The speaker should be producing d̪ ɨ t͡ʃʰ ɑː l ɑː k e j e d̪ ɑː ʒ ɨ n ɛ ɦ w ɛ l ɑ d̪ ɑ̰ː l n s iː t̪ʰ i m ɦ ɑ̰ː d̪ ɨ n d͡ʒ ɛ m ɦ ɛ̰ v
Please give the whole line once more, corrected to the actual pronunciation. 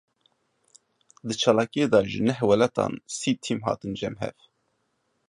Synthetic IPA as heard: d̪ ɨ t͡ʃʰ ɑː l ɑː k i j e d̪ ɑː ʒ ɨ n ɛ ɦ w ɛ l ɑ t̪ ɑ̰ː n s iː t̪ʰ i m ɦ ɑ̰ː t̪ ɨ n d͡ʒ ɛ m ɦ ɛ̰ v